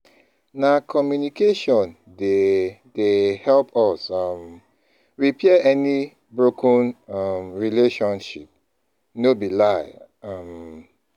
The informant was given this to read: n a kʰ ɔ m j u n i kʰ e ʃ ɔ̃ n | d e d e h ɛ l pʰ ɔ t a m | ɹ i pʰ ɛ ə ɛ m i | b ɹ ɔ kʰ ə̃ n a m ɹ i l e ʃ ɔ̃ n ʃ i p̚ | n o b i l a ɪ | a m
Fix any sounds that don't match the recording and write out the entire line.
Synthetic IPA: n a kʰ ɔ m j u n i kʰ e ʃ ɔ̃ n | d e d e h ɛ l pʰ ɔ s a m | ɹ i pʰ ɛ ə ɛ n i | b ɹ o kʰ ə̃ n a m ɹ i l e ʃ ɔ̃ n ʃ i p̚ | n o b i l a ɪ | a m